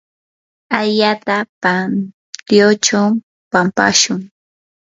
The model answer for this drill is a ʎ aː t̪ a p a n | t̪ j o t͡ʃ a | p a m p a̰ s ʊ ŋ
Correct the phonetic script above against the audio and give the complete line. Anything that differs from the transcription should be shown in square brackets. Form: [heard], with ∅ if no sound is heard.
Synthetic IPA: a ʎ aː t̪ a p a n | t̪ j o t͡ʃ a | p a m p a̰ [ʃ] ʊ ŋ